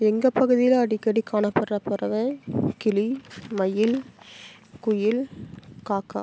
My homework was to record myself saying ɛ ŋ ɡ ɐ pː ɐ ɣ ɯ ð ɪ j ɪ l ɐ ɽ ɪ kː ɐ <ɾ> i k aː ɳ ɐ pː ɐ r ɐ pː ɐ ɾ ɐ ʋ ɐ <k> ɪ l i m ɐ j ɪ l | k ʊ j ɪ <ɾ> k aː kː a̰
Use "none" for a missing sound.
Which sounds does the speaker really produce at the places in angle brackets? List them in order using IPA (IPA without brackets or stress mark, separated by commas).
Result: ɽ, k, l